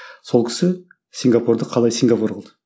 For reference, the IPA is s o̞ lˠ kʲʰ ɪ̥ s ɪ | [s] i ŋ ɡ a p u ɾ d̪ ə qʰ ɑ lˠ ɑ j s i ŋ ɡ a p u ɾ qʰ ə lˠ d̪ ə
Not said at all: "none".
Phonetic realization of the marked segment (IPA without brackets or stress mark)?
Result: s